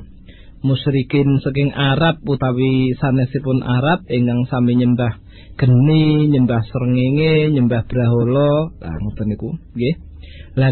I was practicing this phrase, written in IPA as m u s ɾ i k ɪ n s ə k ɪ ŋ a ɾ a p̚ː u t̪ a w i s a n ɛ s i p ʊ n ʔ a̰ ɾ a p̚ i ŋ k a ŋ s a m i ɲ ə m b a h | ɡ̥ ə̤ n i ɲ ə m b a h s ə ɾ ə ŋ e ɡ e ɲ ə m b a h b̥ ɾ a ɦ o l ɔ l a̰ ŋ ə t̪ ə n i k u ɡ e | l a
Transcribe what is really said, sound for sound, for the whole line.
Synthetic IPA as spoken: m u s ɾ i k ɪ n s ə k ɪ ŋ a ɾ a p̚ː u t̪ a w i s a n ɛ s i p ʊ n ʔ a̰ ɾ a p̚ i ŋ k a ŋ s a m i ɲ ə m b a h | ɡ̥ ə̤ n i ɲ ə m b a h s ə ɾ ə ŋ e ŋ e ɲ ə m b a h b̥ ɾ a ɦ o l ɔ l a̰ ŋ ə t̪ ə n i k u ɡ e | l a